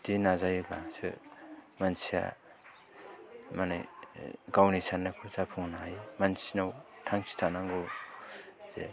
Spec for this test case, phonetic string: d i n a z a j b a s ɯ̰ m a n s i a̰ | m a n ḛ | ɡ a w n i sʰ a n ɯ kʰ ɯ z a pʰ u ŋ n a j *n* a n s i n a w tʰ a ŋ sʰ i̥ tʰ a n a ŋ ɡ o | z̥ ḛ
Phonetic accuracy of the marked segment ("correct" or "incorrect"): incorrect